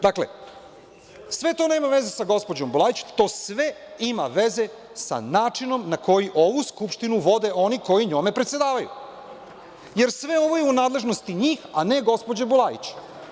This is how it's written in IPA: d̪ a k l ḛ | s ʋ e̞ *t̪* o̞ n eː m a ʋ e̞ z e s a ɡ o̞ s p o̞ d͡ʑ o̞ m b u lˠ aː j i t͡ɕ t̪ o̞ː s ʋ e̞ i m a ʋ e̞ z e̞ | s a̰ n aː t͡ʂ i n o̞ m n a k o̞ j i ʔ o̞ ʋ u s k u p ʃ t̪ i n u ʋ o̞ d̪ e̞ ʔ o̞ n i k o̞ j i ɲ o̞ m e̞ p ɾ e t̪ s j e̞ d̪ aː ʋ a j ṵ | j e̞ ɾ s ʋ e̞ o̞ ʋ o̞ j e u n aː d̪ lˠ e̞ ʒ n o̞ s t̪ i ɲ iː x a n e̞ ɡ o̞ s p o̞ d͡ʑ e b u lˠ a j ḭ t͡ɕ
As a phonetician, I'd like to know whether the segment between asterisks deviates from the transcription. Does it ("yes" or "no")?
no